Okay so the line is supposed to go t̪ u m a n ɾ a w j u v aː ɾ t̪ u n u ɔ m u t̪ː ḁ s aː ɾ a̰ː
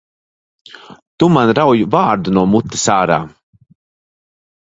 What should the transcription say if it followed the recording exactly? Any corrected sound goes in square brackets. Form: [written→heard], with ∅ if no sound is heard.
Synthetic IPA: t̪ u m a n ɾ a w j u v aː ɾ [t̪→d̪] u n u ɔ m u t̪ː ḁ s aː ɾ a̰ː

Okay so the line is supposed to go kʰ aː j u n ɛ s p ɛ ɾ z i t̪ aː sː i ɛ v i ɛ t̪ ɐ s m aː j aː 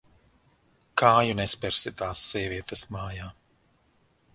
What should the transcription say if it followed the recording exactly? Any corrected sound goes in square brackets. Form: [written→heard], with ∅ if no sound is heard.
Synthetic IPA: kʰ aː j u n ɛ s p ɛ ɾ [z→s] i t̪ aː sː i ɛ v i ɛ t̪ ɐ s m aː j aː

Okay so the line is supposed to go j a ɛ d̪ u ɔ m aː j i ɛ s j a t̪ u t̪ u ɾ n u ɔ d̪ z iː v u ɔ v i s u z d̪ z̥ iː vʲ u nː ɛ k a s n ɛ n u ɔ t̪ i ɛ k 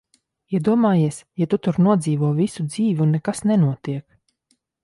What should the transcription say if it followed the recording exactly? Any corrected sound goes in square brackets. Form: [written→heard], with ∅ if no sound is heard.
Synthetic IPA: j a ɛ d̪ u ɔ m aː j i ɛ s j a t̪ u t̪ u ɾ n u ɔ d̪ z iː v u ɔ v i s u [z→∅] d̪ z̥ iː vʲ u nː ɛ k a s n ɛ n u ɔ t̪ i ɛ k

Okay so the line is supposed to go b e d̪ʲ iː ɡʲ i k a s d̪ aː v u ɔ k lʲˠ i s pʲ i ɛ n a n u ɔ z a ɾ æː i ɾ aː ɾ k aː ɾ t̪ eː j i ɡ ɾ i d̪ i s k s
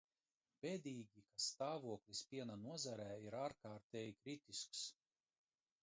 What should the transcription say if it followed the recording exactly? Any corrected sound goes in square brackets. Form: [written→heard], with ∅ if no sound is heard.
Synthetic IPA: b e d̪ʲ iː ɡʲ i k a s [d̪→t̪] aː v u ɔ k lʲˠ i s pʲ i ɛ n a n u ɔ z a ɾ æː i ɾ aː ɾ k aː ɾ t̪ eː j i [ɡ→k] ɾ i [d̪→t̪] i s k s

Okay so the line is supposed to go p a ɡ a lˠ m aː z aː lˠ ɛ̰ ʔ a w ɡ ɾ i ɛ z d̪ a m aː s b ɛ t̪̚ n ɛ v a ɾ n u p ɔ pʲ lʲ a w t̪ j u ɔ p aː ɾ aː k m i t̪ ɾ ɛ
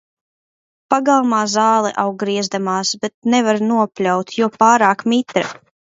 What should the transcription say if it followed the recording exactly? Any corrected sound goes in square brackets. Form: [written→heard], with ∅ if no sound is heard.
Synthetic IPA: p a ɡ a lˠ m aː z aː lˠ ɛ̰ ʔ a w ɡ ɾ i ɛ z d̪ a m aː s b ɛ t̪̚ n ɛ v a ɾ n u [p→∅] ɔ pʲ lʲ a w t̪ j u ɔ p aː ɾ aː k m i t̪ ɾ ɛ

